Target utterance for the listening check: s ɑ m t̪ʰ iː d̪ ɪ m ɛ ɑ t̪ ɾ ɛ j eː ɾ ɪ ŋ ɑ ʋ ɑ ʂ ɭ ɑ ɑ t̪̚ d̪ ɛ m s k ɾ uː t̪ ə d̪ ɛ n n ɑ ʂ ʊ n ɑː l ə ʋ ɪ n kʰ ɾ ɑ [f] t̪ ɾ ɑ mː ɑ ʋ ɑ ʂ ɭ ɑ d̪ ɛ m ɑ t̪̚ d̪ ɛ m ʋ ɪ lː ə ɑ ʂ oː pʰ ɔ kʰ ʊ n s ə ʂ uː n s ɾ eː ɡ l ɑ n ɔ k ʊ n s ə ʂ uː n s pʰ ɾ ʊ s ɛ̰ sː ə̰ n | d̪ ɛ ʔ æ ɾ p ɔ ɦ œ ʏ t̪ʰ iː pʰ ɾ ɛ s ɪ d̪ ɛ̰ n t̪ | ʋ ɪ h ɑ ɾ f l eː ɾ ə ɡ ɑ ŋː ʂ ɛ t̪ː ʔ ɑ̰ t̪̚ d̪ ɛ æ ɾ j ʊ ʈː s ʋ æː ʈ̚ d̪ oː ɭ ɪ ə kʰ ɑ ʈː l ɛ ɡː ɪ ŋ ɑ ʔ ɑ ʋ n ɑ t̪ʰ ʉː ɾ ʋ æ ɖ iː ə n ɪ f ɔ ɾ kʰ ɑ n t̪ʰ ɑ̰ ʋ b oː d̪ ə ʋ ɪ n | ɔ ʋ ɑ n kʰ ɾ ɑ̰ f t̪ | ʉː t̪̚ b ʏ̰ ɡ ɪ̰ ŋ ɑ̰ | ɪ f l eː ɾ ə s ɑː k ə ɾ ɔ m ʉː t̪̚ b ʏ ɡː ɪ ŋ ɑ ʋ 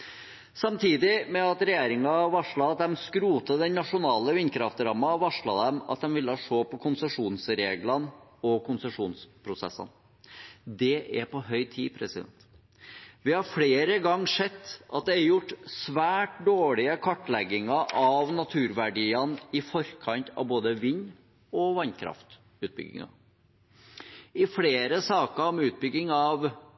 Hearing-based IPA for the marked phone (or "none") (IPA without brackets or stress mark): f